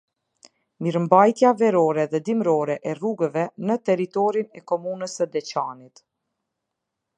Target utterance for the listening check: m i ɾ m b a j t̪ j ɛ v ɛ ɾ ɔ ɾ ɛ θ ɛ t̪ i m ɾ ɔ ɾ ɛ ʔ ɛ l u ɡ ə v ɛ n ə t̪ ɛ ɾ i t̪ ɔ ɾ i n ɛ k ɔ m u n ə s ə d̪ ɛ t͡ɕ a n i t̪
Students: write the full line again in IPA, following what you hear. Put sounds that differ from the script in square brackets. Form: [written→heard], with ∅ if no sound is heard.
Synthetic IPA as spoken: m i ɾ m b a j t̪ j [ɛ→a] v ɛ ɾ ɔ ɾ ɛ [θ→ð] ɛ [t̪→d̪] i m ɾ ɔ ɾ ɛ ʔ ɛ [l→r] u ɡ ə v ɛ n ə t̪ ɛ ɾ i t̪ ɔ ɾ i n ɛ k ɔ m u n ə s ə d̪ ɛ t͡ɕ a n i t̪

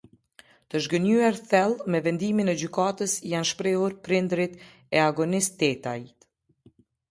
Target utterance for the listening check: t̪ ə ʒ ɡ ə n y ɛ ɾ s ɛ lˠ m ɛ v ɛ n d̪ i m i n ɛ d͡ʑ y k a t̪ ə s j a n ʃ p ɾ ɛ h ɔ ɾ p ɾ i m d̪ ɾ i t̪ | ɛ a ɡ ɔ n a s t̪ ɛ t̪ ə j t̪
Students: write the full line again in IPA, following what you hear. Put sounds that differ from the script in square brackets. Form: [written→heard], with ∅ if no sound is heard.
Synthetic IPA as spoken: t̪ ə ʒ ɡ ə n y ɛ ɾ [s→θ] ɛ lˠ m ɛ v ɛ n d̪ i m i n ɛ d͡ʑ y k a t̪ ə s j a n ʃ p ɾ ɛ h [ɔ→u] ɾ p ɾ i [m→n] d̪ ɾ i t̪ | ɛ a ɡ ɔ n [a→i] s t̪ ɛ t̪ [ə→a] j t̪

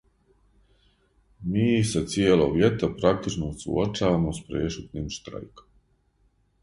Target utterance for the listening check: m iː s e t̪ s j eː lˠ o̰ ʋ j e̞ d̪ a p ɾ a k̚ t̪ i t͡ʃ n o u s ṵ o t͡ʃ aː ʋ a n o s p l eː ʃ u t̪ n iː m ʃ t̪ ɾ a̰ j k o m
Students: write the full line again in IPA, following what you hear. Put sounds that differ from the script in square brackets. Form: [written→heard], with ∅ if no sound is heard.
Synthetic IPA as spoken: m iː s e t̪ s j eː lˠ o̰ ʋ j e̞ [d̪→t̪] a p ɾ a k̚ t̪ i t͡ʃ n o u s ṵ o t͡ʃ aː ʋ a [n→m] o s p [l→ɾ] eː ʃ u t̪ n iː m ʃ t̪ ɾ a̰ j k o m

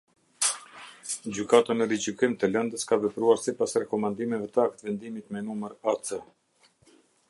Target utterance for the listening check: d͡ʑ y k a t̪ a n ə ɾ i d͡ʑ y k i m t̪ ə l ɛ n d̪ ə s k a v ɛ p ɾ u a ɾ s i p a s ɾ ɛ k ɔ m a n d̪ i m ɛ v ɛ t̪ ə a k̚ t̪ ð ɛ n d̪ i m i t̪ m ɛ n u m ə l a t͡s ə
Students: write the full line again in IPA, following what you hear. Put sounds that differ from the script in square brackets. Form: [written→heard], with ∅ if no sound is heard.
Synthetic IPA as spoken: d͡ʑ y k a t̪ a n ə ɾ i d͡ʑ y k i m t̪ ə l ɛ n d̪ ə s k a v ɛ p ɾ u a ɾ s i p a s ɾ ɛ k ɔ m a n d̪ i m ɛ v ɛ t̪ ə a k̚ t̪ [ð→v] ɛ n d̪ i m i t̪ m ɛ n u m ə [l→ɾ] a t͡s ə

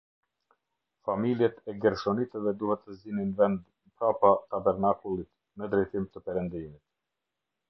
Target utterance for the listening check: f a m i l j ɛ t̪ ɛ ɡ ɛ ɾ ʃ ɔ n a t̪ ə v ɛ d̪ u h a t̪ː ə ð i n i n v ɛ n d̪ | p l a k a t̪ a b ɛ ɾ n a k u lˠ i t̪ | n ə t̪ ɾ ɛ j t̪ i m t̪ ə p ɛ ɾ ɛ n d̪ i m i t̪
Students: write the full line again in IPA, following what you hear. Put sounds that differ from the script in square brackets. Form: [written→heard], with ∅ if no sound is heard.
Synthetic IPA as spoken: f a m i l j ɛ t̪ ɛ ɡ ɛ ɾ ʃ ɔ n [a→i] t̪ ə v ɛ d̪ u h [a→ɛ] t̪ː ə [ð→z] i n i n v ɛ n d̪ | p [l→ɾ] a [k→p] a t̪ a b ɛ ɾ n a k u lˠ i t̪ | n ə [t̪→d̪] ɾ ɛ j t̪ i m t̪ ə p ɛ ɾ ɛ n d̪ i m i t̪

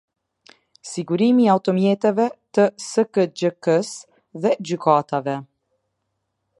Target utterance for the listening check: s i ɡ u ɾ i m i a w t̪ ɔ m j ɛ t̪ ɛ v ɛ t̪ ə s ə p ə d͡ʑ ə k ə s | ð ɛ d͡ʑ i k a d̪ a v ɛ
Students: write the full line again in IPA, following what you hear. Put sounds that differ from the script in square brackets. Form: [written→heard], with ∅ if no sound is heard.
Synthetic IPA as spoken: s i ɡ u ɾ i m i a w t̪ ɔ m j ɛ t̪ ɛ v ɛ t̪ ə s ə [p→k] ə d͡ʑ ə k ə s | ð ɛ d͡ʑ [i→y] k a [d̪→t̪] a v ɛ

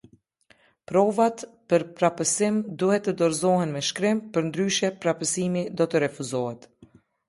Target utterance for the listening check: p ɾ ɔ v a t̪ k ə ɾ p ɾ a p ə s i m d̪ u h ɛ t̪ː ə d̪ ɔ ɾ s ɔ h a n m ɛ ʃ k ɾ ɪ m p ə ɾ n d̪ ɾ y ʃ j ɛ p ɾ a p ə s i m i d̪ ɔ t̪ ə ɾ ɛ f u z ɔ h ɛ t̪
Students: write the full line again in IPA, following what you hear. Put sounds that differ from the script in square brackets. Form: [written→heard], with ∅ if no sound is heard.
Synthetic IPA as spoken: p ɾ ɔ v a t̪ [k→p] ə ɾ p ɾ a p ə s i m d̪ u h ɛ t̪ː ə d̪ ɔ ɾ [s→z] ɔ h [a→ɛ] n m ɛ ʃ k ɾ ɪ m p ə ɾ n d̪ ɾ y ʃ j ɛ p ɾ a p ə s i m i d̪ ɔ t̪ ə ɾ ɛ f u z ɔ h ɛ t̪

